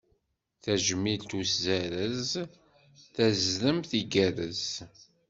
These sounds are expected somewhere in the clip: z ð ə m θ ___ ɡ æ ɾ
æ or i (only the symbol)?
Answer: i